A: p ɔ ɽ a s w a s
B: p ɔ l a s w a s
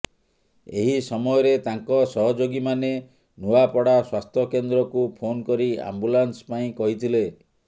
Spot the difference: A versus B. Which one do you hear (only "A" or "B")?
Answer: A